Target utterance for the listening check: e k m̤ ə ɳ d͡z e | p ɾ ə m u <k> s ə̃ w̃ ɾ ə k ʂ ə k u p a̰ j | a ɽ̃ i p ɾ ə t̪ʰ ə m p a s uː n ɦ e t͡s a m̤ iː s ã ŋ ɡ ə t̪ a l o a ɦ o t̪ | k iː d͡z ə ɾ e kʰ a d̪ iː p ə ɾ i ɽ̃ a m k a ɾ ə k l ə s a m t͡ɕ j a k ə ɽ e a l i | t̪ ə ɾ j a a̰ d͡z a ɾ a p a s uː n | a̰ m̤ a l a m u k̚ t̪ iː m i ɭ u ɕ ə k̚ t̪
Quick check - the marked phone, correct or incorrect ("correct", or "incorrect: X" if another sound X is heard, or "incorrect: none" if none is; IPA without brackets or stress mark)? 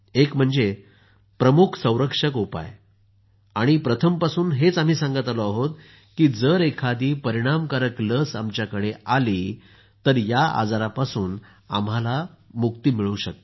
incorrect: kʰ